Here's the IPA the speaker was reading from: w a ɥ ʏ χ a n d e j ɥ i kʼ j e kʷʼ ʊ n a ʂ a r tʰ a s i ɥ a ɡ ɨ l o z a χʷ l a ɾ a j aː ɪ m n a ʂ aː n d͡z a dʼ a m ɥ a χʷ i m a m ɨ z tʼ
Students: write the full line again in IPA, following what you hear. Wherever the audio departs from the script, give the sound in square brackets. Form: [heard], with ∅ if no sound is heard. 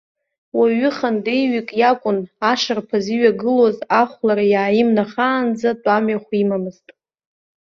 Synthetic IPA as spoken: w a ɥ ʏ χ a n d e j ɥ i kʼ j [a] kʷʼ ʊ n a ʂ a r [pʰ] a [z] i ɥ a ɡ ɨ l o z a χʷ l a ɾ a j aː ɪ m n a [χ] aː n d͡z a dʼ a m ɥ a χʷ i m a m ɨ z tʼ